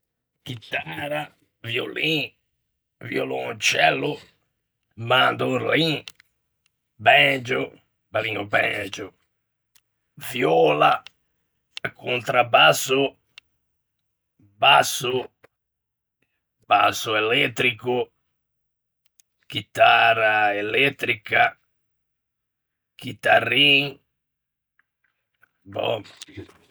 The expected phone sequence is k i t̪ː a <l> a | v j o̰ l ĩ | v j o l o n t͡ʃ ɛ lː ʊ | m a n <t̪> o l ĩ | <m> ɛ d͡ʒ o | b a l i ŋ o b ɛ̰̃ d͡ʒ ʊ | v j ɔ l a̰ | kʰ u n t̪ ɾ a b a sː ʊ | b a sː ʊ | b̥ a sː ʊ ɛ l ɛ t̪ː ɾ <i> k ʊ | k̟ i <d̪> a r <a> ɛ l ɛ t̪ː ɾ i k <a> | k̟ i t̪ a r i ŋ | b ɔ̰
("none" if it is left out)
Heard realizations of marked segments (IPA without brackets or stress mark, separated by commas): ɾ, d̪, b, i, t̪, a, a